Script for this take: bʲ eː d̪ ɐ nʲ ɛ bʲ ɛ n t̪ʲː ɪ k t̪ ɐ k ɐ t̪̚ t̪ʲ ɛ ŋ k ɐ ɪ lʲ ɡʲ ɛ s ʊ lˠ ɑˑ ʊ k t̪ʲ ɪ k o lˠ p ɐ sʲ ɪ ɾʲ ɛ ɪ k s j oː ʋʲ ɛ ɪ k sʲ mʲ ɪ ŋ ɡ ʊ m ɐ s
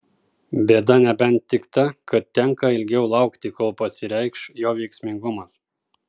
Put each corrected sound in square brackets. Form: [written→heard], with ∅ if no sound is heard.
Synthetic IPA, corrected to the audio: bʲ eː d̪ ɐ nʲ ɛ bʲ ɛ n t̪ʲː ɪ k t̪ ɐ k ɐ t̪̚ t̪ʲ ɛ ŋ k ɐ ɪ lʲ ɡʲ ɛ [s→∅] ʊ lˠ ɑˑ ʊ k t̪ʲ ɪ k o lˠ p ɐ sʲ ɪ ɾʲ ɛ ɪ k [s→ʃ] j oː ʋʲ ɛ ɪ k sʲ mʲ ɪ ŋ ɡ ʊ m ɐ s